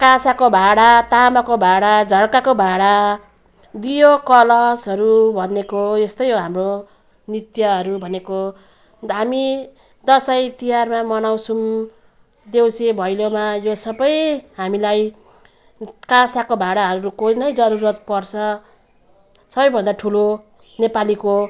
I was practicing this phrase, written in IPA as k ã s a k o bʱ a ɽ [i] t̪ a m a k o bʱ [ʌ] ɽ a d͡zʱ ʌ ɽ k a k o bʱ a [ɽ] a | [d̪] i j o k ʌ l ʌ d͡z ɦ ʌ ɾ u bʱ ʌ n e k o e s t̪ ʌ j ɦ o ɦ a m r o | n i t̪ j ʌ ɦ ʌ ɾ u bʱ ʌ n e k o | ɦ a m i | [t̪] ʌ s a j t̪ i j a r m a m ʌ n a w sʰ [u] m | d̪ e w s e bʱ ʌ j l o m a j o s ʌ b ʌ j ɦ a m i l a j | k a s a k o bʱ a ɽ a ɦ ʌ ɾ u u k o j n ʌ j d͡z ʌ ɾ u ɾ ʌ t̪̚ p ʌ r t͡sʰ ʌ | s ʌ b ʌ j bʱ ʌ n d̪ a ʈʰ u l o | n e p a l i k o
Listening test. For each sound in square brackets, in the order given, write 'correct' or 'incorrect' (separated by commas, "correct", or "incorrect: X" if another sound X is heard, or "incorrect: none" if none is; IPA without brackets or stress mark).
incorrect: a, incorrect: a, correct, correct, incorrect: d̪, correct